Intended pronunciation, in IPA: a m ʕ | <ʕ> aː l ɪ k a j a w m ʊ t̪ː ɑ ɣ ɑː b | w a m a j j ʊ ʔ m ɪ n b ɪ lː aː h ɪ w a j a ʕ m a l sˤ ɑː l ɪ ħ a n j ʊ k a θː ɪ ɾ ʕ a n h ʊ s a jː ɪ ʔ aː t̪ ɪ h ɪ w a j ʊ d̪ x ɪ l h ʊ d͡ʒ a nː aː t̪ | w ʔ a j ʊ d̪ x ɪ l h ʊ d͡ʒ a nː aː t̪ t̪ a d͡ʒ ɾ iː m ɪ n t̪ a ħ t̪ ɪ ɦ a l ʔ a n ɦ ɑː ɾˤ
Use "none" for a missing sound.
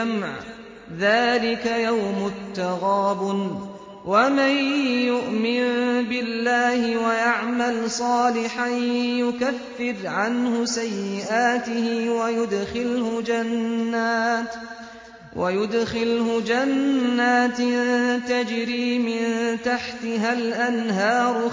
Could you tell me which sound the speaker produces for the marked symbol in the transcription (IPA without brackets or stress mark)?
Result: ð